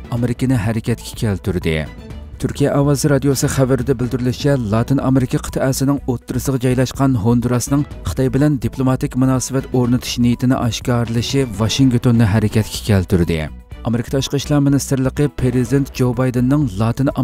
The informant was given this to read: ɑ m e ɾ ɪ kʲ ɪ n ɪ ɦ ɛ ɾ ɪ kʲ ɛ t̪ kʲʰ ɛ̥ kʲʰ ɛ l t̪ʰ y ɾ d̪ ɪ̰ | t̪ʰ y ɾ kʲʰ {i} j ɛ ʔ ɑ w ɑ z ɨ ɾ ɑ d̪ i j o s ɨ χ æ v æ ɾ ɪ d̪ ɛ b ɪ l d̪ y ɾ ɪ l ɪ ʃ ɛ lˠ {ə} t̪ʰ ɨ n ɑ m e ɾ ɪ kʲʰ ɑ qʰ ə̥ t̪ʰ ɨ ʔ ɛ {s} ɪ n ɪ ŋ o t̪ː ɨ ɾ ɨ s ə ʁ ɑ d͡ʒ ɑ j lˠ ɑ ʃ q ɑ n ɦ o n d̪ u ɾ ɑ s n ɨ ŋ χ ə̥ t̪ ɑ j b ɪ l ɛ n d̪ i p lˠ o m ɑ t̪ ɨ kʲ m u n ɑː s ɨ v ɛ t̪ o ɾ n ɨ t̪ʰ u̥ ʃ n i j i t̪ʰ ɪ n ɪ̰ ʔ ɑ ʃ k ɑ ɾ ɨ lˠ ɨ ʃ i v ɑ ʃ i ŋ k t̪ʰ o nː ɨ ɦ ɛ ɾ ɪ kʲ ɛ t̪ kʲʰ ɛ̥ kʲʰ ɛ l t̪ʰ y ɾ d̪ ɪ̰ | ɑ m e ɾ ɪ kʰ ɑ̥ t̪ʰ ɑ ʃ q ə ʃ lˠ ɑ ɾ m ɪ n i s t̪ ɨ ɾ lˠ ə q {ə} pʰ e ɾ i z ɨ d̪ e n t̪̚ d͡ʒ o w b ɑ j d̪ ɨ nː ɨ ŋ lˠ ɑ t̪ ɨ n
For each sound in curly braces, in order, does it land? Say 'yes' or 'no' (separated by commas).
yes, no, yes, yes